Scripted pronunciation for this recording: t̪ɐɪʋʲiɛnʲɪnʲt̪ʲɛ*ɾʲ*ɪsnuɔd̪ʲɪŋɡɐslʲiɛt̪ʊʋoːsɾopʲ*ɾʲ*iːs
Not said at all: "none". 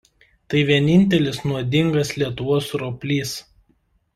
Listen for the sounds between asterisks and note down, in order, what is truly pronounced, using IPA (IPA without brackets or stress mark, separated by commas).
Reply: lʲ, lʲ